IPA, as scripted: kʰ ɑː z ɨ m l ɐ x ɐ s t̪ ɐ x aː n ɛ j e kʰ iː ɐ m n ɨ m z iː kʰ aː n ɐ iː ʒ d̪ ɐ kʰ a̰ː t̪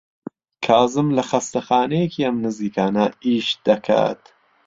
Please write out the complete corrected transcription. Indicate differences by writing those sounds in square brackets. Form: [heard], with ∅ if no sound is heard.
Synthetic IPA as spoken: kʰ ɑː z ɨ m l ɐ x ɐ s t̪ ɐ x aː n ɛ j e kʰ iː ɐ m n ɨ [∅] z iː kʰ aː n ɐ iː [ʃ] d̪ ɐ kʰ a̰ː t̪